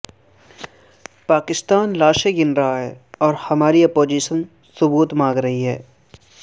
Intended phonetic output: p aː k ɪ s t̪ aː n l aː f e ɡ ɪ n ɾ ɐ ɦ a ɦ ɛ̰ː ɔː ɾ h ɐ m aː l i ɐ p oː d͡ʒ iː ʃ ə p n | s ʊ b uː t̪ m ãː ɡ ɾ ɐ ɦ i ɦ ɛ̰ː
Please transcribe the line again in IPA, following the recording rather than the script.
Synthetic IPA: p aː k ɪ s t̪ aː n l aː ʃ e ɡ ɪ n ɾ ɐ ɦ a ɦ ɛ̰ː ɔː ɾ h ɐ m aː ɾ i ɐ p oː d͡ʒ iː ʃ ə n | s ʊ b uː t̪ m ãː ɡ ɾ ɐ ɦ i ɦ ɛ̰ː